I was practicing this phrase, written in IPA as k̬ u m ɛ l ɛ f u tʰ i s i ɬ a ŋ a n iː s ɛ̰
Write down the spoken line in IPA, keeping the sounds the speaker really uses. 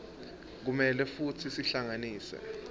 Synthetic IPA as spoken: k̬ u m ɛ l ɛ f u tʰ i s i ɬ a ŋ a n iː s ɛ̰

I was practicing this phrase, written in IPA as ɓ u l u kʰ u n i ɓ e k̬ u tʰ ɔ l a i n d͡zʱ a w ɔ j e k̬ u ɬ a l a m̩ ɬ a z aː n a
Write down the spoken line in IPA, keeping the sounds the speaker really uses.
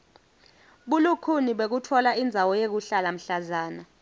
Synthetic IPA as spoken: ɓ u l u kʰ u n i ɓ e k̬ u tʰ ɔ l a i n d͡zʱ a w ɔ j e k̬ u ɬ a l a m̩ ɬ a z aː n a

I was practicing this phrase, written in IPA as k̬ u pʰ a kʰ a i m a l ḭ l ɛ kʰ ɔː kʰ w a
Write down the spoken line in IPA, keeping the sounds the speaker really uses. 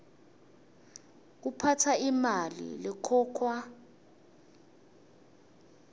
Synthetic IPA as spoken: k̬ u pʰ a tʰ a i m a l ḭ l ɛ kʰ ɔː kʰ w a

